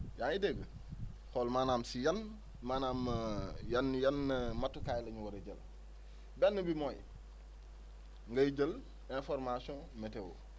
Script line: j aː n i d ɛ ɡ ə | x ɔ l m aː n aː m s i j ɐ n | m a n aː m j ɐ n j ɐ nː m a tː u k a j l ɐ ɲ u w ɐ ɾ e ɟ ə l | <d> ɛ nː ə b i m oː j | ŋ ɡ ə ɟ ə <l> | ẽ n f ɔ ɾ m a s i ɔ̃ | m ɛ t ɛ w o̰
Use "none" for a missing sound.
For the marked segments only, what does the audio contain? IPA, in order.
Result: b, l

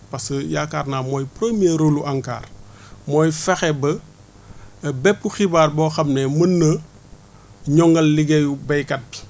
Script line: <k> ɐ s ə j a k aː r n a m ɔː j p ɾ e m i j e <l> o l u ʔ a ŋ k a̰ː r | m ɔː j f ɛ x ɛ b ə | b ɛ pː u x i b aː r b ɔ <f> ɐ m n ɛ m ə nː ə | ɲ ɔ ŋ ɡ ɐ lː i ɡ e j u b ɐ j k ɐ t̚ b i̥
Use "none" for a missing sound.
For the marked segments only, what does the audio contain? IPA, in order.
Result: p, ɾ, x

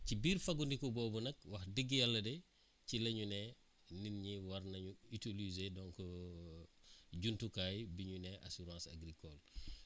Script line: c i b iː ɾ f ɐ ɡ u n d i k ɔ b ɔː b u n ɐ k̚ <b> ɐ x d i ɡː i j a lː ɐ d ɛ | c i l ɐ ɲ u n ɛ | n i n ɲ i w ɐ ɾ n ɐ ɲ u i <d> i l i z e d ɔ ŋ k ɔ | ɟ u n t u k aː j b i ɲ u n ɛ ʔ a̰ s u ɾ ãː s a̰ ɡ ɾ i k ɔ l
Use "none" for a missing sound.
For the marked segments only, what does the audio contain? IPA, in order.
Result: w, t

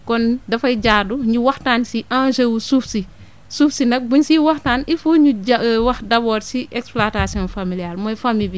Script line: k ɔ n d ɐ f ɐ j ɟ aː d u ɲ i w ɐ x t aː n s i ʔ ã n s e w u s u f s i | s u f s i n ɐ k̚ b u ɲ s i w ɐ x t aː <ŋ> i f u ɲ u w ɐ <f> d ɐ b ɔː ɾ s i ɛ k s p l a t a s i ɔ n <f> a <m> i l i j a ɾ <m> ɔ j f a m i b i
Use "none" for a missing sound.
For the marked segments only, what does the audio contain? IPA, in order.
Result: n, x, f, m, m

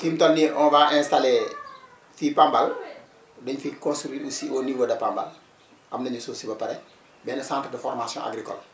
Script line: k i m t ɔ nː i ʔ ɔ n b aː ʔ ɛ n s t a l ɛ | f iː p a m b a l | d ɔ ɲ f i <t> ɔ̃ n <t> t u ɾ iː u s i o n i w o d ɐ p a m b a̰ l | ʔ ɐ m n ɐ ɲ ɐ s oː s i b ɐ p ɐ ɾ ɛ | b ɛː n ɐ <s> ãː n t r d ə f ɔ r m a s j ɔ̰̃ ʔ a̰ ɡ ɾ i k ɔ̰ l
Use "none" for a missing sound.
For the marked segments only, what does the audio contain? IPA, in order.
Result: k, s, s

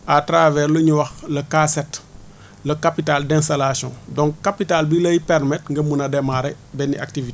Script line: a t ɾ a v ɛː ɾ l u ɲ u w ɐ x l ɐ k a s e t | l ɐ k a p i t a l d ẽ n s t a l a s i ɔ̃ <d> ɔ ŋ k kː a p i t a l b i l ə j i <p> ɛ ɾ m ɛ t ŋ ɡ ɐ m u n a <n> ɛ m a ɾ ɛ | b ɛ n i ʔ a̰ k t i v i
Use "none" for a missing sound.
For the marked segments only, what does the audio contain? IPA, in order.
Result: d, p, d

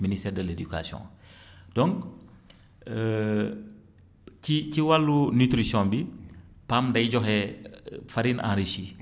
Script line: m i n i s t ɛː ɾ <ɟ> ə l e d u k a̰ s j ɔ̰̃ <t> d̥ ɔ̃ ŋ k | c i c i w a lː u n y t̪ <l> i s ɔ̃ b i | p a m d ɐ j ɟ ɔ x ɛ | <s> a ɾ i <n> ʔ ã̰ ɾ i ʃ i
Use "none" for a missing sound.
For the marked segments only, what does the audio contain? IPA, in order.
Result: d, none, ɾ, f, n

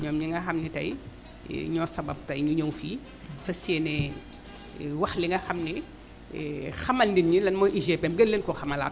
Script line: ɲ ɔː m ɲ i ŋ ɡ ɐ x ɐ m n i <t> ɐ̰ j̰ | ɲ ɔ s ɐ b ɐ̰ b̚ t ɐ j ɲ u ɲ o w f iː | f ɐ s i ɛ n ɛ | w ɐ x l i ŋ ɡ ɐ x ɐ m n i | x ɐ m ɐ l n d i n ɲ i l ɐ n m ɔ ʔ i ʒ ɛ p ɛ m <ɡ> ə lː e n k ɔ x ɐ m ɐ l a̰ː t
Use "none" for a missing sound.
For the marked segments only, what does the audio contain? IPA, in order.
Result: t, ɡ

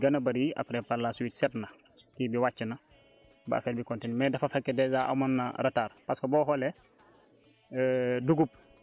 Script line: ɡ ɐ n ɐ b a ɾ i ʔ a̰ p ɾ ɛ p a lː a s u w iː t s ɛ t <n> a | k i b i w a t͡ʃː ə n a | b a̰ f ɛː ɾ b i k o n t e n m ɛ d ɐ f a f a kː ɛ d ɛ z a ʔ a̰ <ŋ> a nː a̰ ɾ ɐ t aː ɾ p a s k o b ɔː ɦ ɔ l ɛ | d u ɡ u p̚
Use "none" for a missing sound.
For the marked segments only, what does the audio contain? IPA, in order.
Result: n, m

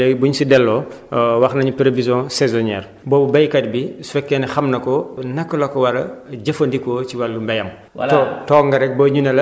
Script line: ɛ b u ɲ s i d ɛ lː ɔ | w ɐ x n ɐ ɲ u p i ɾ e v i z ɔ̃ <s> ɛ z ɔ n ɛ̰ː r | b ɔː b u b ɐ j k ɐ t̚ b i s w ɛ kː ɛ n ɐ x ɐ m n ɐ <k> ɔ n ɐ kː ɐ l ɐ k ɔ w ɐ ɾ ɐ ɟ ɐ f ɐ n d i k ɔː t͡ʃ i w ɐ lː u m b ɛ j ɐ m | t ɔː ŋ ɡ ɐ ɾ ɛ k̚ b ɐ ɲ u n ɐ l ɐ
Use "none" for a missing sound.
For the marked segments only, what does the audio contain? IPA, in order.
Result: s, k

